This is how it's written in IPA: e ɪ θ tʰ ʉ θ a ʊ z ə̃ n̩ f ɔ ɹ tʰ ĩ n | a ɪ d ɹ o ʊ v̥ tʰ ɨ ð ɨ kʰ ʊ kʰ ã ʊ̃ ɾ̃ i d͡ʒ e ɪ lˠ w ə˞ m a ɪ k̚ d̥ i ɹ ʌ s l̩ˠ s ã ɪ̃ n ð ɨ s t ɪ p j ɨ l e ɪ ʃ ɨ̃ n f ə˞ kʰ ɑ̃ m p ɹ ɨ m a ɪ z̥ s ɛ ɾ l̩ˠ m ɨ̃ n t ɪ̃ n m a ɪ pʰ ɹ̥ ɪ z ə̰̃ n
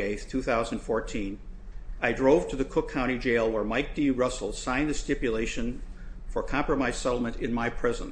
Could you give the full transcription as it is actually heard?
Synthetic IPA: e ɪ θ tʰ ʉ θ a ʊ z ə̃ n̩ f ɔ ɹ tʰ ĩ n | a ɪ d ɹ o ʊ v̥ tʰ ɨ ð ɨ kʰ ʊ kʰ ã ʊ̃ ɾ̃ i d͡ʒ e ɪ lˠ w ə˞ m a ɪ k̚ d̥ i ɹ ʌ s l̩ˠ s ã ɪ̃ n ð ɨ s t ɪ p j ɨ l e ɪ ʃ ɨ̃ n f ə˞ kʰ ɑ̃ m p ɹ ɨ m a ɪ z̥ s ɛ ɾ l̩ˠ m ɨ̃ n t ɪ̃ n m a ɪ pʰ ɹ̥ ɪ z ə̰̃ n